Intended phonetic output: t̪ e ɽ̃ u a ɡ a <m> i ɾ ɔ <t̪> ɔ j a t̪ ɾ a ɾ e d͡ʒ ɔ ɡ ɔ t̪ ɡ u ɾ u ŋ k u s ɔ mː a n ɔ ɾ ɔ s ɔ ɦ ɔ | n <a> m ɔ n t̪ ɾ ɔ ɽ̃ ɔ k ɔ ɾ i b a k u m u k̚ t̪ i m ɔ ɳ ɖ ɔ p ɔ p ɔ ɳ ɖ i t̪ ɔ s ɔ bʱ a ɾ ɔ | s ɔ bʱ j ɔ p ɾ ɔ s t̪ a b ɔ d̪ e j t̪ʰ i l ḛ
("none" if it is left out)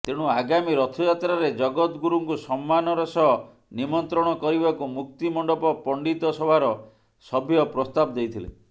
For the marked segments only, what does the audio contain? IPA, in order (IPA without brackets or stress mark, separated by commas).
m, t̪ʰ, i